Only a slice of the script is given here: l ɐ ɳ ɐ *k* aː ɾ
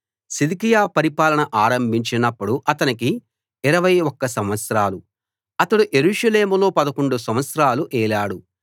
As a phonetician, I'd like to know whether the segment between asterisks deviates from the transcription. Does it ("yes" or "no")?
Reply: yes